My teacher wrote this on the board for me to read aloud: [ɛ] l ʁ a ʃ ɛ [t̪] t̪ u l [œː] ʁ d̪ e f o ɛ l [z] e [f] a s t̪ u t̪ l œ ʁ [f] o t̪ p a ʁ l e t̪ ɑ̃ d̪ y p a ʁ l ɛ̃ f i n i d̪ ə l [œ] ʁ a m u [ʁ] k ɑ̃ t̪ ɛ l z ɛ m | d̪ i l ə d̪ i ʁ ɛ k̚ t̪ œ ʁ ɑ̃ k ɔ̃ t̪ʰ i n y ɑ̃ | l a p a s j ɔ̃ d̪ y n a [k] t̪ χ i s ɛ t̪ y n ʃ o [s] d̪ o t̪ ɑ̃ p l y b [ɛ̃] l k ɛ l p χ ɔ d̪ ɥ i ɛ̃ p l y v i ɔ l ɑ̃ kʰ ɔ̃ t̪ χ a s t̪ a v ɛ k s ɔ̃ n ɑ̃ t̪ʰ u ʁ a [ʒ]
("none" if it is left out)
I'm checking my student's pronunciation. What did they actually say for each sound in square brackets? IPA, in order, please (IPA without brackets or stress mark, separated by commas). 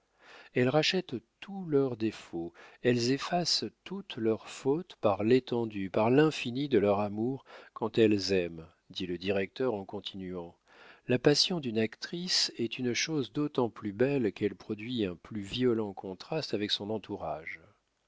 ɛ, t̪, œ, z, f, f, œ, ʁ, k, z, ɛ, ʒ